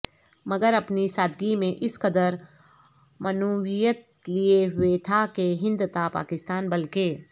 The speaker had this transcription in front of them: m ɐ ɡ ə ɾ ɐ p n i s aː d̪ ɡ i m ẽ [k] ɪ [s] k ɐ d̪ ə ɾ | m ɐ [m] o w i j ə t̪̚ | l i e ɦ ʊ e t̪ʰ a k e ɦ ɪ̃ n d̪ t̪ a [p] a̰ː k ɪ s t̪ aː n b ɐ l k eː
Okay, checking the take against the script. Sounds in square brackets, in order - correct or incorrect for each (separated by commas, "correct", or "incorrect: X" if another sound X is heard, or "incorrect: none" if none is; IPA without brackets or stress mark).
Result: incorrect: ʔ, correct, incorrect: n, correct